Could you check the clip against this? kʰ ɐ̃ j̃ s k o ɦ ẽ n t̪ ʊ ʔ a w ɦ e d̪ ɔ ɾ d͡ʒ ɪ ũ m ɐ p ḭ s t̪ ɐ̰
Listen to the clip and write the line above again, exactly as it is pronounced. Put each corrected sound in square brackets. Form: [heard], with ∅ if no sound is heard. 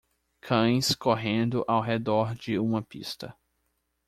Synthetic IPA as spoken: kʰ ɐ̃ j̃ s k o ɦ ẽ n [d̪] ʊ ʔ a w ɦ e d̪ ɔ ɾ d͡ʒ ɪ ũ m ɐ p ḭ s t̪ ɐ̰